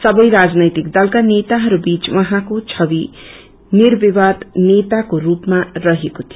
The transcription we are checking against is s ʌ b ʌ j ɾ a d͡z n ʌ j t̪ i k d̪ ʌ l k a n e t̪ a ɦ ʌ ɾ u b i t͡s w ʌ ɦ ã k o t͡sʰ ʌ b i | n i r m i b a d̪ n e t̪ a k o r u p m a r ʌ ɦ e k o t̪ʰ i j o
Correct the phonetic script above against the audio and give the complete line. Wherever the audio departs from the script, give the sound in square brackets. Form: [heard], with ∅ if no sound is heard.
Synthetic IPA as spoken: s ʌ b ʌ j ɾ a d͡z n ʌ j t̪ i k d̪ ʌ l k a n e t̪ a ɦ ʌ ɾ u b i t͡s w ʌ ɦ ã k o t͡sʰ ʌ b i | n i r [b] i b a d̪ n e t̪ a k o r u p m a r ʌ ɦ e k o t̪ʰ i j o